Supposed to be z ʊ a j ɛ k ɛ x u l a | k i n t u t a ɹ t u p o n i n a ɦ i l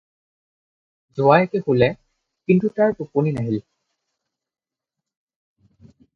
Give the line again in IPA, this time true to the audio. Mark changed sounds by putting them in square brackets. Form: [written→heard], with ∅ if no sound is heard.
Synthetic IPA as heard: z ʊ a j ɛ k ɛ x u l [a→ɛ] | k i n t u t a ɹ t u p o n i n a ɦ i l